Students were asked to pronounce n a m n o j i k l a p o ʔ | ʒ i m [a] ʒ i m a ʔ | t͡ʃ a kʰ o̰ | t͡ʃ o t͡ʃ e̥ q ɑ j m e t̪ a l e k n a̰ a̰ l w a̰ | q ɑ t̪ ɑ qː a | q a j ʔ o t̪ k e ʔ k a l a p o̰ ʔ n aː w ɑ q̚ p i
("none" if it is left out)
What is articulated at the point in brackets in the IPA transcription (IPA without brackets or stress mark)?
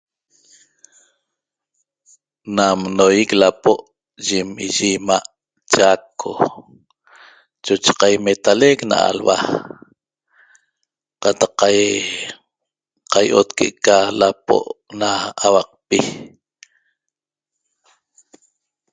i